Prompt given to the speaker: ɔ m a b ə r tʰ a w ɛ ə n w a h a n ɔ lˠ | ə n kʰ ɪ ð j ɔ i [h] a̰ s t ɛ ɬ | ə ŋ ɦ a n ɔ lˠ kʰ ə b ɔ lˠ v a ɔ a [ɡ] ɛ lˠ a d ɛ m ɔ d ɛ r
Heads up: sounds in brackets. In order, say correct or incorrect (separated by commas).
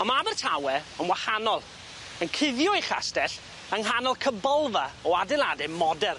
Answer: incorrect, incorrect